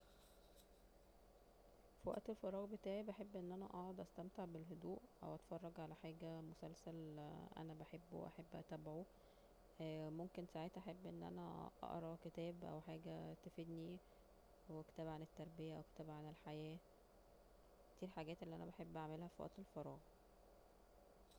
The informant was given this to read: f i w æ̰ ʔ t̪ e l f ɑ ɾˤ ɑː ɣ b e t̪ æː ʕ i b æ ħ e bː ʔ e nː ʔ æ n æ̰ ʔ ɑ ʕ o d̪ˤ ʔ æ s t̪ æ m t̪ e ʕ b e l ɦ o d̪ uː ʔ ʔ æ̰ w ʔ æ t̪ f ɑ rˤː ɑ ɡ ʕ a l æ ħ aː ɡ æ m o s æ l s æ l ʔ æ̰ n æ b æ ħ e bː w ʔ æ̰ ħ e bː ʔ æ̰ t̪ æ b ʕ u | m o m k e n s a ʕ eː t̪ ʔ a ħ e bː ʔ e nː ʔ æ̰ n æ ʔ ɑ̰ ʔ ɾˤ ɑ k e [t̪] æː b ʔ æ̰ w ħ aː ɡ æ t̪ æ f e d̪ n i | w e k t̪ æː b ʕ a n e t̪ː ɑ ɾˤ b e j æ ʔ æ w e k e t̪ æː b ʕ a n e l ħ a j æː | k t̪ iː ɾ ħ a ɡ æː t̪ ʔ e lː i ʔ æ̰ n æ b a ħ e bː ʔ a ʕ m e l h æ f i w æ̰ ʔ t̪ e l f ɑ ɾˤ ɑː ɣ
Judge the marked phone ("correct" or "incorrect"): correct